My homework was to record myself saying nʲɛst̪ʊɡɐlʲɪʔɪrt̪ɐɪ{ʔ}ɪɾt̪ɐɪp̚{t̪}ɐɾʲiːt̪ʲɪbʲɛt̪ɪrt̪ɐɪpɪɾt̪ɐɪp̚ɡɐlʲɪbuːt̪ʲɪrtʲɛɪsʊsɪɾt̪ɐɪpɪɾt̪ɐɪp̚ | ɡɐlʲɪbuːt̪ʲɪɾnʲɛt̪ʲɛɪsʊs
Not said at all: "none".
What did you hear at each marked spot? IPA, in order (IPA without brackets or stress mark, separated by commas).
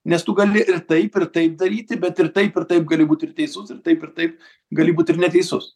p, d̪